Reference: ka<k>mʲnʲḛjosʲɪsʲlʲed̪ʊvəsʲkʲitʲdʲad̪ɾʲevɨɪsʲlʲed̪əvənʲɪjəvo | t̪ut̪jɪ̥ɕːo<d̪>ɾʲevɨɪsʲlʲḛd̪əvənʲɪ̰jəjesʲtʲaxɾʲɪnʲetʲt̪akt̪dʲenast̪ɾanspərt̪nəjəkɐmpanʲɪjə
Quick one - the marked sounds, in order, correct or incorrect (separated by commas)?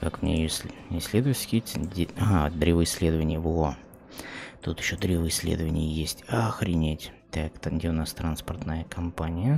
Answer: correct, correct